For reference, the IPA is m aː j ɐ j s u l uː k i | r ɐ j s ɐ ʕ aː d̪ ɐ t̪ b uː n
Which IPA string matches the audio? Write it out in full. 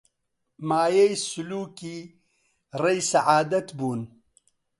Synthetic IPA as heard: m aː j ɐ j s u l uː k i | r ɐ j s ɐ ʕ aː d̪ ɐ t̪ b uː n